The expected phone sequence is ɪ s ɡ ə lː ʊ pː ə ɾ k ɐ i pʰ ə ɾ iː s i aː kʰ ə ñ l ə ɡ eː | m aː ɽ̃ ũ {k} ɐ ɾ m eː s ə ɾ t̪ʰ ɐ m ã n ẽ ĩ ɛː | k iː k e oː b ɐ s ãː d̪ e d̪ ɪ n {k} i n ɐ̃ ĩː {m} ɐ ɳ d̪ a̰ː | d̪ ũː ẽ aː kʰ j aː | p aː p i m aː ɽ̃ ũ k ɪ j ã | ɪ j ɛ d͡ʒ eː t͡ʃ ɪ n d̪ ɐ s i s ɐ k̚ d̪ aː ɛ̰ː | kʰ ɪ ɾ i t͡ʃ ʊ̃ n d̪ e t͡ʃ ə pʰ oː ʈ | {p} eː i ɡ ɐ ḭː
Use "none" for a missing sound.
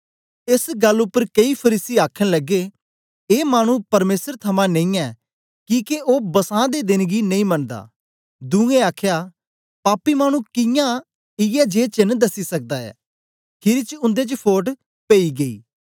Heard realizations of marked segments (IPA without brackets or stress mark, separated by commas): p, ɡ, m, p